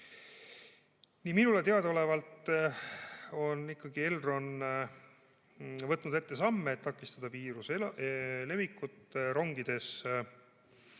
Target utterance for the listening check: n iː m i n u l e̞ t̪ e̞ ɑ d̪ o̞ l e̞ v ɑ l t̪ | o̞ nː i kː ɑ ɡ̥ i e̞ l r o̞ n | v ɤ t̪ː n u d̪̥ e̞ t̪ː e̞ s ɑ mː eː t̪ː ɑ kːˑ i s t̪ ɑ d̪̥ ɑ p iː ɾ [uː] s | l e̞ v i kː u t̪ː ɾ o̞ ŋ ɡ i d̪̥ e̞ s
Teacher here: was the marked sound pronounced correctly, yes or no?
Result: no